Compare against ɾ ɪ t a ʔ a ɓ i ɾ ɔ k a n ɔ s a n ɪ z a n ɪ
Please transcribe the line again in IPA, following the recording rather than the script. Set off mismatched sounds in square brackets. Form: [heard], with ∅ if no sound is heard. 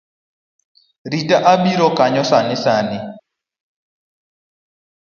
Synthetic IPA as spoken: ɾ [i] t a ʔ a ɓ i ɾ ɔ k a [ɲ] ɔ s a n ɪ [s] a n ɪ